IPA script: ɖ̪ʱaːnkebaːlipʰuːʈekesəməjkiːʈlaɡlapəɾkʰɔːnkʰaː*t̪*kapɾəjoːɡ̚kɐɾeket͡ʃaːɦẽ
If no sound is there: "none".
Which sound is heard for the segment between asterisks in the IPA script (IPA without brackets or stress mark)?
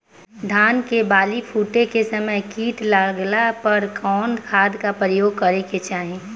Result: d̪